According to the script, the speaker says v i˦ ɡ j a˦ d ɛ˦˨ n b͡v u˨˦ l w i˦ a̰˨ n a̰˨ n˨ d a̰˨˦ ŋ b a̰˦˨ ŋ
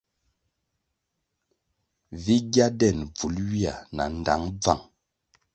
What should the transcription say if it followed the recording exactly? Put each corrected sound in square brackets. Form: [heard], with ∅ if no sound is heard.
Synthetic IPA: v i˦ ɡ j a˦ d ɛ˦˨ n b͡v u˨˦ l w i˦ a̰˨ n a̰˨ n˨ d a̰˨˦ ŋ [b͡v] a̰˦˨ ŋ